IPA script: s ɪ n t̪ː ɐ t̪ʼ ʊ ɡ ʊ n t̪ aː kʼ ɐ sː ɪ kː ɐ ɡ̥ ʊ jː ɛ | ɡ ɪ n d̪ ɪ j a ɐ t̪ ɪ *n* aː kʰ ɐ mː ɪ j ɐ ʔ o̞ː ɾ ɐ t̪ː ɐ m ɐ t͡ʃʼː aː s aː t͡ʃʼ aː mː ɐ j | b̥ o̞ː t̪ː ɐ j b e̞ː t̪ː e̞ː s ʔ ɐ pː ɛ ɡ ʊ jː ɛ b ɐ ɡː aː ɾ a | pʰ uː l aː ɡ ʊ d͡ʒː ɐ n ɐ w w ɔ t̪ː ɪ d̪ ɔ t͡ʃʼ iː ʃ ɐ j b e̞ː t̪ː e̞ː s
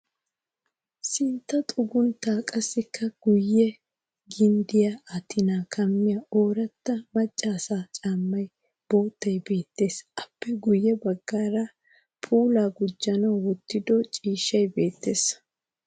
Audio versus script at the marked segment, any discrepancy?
no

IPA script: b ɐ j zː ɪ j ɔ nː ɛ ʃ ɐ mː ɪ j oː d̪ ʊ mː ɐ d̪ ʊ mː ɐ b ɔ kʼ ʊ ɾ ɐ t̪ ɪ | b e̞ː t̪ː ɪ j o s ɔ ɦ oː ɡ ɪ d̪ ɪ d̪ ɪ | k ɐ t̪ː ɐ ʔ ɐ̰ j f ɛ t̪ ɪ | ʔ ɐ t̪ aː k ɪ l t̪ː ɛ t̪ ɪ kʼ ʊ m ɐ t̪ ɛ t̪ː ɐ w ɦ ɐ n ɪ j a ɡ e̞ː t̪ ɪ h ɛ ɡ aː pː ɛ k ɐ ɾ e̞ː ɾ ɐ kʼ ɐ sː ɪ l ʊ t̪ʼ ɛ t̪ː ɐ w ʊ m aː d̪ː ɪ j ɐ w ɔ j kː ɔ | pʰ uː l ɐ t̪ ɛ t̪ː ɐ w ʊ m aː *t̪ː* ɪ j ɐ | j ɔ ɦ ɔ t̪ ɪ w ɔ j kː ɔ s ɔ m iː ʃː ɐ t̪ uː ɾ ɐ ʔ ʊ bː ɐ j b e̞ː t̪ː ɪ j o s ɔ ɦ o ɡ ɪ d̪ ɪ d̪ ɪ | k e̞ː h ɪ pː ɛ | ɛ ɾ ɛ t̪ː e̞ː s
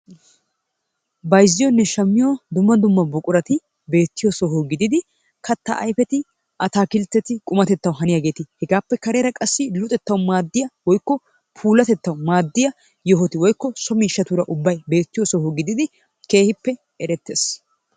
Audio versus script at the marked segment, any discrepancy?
yes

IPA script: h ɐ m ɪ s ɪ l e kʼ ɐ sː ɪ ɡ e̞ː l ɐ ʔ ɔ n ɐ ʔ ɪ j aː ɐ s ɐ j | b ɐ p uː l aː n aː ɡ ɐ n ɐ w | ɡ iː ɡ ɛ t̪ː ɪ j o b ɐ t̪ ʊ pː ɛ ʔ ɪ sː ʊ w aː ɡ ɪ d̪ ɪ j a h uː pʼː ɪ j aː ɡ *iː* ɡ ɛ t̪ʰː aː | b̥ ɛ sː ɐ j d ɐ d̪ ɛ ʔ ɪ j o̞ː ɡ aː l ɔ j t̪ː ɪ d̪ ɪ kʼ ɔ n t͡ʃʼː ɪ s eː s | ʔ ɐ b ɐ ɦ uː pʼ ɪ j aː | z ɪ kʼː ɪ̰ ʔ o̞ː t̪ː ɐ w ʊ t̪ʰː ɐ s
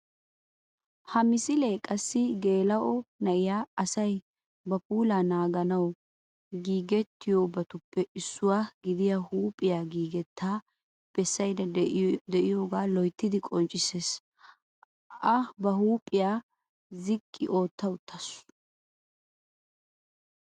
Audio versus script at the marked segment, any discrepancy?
no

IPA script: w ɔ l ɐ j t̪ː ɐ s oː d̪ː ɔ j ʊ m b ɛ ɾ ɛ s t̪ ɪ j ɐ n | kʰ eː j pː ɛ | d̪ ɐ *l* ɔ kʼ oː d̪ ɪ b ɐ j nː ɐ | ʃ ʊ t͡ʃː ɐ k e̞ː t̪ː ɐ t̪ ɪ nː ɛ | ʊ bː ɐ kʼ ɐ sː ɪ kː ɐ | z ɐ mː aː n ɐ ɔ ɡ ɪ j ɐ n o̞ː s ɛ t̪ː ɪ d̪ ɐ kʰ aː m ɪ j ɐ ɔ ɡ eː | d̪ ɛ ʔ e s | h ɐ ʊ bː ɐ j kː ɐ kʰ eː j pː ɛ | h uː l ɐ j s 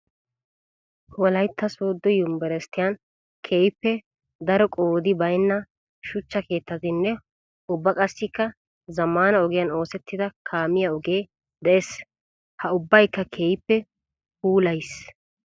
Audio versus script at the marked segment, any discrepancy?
yes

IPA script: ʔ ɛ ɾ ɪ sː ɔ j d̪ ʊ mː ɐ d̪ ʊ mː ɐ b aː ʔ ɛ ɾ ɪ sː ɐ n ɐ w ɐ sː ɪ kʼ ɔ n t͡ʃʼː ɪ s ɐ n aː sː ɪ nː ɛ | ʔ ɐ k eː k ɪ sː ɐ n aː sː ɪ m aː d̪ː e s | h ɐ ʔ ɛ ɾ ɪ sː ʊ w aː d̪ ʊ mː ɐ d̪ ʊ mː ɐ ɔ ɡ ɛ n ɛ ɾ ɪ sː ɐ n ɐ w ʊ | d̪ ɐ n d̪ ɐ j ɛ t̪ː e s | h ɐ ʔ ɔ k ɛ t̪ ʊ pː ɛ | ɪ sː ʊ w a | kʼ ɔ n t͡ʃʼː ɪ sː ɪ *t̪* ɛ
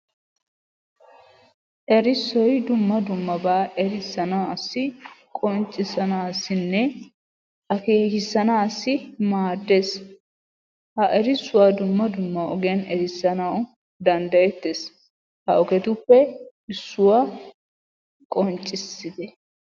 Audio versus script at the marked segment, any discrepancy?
yes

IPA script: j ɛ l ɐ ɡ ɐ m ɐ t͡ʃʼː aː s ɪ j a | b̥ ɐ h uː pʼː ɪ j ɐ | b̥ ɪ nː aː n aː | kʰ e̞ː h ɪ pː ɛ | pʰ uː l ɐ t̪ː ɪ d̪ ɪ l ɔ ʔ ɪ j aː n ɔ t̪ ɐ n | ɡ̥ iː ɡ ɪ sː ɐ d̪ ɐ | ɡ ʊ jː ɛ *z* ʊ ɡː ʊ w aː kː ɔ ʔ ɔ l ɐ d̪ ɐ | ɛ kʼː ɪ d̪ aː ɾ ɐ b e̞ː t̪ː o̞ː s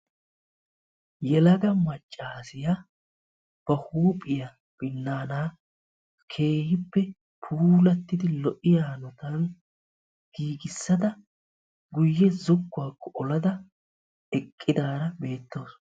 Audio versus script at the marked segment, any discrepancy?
no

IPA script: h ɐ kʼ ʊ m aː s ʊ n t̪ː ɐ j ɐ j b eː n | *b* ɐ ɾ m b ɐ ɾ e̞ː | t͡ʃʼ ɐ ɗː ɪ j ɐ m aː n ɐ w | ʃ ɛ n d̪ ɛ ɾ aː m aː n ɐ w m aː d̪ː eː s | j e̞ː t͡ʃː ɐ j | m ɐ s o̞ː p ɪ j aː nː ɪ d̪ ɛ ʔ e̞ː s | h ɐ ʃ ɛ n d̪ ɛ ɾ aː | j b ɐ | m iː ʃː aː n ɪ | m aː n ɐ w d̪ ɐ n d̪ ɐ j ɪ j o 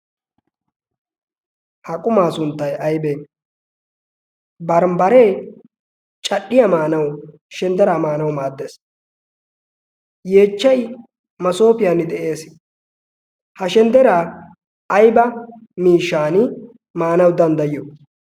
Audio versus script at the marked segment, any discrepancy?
no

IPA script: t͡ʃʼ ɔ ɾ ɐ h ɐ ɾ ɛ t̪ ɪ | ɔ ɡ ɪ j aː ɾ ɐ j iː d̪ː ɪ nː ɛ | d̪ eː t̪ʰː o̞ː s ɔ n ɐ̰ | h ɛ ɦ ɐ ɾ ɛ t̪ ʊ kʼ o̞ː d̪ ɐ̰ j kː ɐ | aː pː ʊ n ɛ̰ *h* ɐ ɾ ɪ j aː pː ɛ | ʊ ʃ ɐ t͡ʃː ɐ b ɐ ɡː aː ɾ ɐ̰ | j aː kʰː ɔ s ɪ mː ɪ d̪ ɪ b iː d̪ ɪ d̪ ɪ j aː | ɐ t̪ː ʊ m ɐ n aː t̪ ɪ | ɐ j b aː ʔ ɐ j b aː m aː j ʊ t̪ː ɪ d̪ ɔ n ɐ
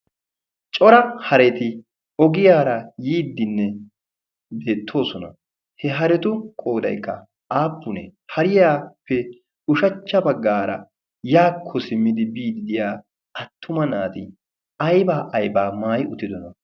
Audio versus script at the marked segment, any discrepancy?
no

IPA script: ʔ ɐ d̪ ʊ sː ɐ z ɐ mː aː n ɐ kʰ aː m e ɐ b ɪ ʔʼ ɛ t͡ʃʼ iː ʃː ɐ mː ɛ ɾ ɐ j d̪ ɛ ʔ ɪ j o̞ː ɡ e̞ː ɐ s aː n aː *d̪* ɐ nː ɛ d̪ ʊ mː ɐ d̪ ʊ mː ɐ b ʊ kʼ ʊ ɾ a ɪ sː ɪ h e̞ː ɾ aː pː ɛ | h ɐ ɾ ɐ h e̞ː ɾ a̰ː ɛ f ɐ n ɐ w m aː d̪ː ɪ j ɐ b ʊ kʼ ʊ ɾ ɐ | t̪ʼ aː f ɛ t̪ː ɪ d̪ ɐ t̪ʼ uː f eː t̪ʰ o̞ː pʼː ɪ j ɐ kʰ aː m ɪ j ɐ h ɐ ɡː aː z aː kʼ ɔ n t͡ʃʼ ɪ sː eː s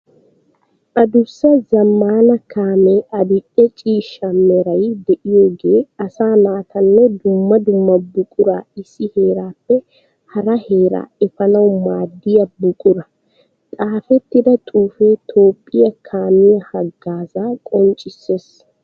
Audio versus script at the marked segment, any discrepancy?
yes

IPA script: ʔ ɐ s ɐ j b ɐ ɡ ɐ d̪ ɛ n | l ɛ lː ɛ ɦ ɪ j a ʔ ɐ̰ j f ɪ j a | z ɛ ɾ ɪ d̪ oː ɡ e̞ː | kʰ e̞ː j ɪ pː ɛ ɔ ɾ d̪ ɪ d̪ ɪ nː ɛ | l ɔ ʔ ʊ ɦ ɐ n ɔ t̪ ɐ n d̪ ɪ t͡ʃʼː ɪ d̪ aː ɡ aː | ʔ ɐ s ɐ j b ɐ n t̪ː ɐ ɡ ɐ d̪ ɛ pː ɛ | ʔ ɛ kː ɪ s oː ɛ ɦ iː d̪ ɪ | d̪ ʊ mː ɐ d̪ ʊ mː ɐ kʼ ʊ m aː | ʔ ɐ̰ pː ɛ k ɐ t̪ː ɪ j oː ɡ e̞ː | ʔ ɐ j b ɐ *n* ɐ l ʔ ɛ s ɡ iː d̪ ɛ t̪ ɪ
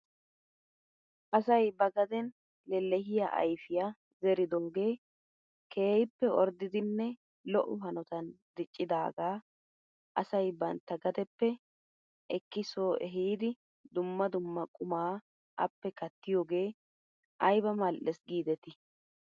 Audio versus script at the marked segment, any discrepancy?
yes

